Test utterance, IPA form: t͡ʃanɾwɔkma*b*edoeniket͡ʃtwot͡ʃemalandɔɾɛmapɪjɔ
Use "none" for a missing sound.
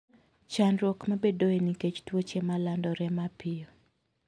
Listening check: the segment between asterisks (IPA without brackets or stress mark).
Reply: b